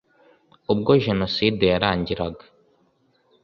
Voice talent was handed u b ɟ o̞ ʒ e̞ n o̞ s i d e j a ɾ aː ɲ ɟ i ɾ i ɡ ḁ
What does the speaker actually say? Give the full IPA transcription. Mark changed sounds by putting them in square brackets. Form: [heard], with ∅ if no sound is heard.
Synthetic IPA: u b [ɡ] o̞ ʒ e̞ n o̞ s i d e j a ɾ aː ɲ ɟ i ɾ [a] ɡ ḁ